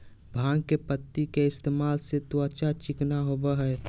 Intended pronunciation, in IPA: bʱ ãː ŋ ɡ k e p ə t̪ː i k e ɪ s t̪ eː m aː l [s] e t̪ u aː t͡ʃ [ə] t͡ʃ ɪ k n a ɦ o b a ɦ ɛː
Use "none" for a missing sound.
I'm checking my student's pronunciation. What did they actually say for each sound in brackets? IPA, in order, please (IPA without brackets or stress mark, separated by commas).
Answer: s, a